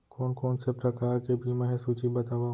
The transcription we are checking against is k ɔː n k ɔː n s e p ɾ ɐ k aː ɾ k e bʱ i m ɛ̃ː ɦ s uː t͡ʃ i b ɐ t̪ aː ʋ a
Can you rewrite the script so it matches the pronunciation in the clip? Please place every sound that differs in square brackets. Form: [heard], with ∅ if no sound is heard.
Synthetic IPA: k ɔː n k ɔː n s e p ɾ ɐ k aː ɾ k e bʱ i m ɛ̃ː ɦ s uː t͡ʃ i b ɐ t̪ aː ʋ a

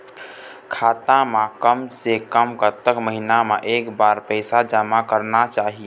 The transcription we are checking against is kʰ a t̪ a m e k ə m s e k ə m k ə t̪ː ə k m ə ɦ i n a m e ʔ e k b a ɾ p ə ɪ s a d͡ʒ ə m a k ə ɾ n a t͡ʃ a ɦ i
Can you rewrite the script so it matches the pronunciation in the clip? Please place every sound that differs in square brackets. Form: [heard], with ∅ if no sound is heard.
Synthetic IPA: kʰ a t̪ a m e k ə m s e k ə m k ə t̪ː ə k m ə ɦ i n a m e ʔ e k b a ɾ p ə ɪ s a d͡ʒ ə m a k ə ɾ n a t͡ʃ a ɦ i

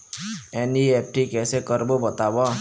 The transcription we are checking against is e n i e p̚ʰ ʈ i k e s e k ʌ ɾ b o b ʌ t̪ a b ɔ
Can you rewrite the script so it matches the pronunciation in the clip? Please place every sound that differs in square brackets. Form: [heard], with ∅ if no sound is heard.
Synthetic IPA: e n i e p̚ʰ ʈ i k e s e k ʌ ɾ b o b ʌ t̪ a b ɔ

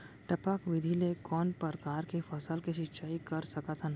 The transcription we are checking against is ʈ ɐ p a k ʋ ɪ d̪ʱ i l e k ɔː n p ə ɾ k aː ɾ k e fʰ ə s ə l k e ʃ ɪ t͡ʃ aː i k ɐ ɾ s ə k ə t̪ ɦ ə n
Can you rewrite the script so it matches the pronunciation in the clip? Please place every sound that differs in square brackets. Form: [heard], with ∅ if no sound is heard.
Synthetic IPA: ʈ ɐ p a k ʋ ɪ d̪ʱ i l e k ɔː n p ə ɾ k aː ɾ k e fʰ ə s ə l k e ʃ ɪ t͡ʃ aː i k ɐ ɾ s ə k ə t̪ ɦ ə n

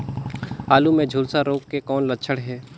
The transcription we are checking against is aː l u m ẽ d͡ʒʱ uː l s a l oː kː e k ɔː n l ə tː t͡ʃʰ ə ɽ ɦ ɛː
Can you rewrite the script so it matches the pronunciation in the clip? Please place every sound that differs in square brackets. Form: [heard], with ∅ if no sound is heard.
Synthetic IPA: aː l u m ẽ d͡ʒʱ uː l s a [ɾ] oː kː e k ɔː n l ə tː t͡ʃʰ ə ɽ ɦ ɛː

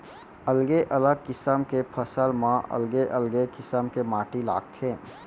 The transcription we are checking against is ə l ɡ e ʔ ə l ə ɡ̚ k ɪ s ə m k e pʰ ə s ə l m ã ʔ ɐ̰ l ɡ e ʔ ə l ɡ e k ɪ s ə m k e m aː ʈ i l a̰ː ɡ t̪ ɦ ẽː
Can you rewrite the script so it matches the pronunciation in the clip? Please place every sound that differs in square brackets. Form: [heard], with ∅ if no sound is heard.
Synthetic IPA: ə l ɡ e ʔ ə l ə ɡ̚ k ɪ s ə m k e pʰ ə s ə l m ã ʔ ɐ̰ l ɡ e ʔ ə l ɡ e k ɪ s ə m k e m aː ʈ i l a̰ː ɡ t̪ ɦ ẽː

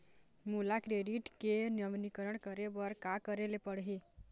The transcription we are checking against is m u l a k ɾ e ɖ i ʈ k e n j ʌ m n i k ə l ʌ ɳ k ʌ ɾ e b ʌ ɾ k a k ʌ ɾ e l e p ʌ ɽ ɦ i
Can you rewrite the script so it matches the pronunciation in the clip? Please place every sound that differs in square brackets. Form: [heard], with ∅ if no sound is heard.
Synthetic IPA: m u l a k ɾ e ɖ i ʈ k e n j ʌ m n i k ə [ɾ] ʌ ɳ k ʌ ɾ e b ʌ ɾ k a k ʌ ɾ e l e p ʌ ɽ ɦ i

